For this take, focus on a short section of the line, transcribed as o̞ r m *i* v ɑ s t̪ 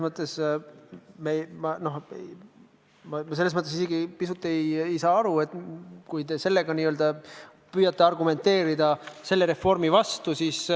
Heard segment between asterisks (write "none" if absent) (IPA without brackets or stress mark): i